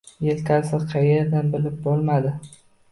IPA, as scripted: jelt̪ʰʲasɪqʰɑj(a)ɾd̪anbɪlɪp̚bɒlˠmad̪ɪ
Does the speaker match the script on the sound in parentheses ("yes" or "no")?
no